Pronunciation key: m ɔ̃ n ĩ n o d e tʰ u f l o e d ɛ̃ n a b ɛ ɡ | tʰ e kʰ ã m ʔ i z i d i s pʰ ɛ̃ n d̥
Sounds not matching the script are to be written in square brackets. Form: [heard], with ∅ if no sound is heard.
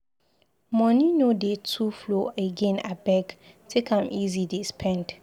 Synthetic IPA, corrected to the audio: m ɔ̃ n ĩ n o d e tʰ u f l o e [ɡ] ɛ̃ n a b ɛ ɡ | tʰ e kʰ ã m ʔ i z i d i s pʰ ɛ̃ n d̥